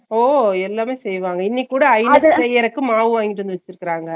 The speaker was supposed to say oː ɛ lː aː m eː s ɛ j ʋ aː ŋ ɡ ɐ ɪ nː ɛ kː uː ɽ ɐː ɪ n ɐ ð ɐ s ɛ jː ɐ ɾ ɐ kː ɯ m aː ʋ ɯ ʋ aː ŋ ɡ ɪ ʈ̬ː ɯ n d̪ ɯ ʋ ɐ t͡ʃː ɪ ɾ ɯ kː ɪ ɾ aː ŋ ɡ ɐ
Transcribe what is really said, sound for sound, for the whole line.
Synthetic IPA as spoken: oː ɛ lː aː m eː s ɛ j ʋ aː ŋ ɡ ɐ ɪ nː i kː uː ɽ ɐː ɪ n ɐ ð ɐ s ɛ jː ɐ ɾ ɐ kː ɯ m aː ʋ ɯ ʋ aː ŋ ɡ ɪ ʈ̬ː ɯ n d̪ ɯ ʋ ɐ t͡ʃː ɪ ɾ ɯ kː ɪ ɾ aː ŋ ɡ ɐ